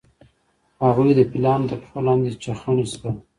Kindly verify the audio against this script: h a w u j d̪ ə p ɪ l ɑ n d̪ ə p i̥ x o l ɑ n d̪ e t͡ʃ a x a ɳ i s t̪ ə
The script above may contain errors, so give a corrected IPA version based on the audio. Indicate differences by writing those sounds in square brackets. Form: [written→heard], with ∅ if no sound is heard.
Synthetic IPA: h a [w→ɣ] u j d̪ ə p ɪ l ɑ n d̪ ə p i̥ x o l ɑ n d̪ e t͡ʃ a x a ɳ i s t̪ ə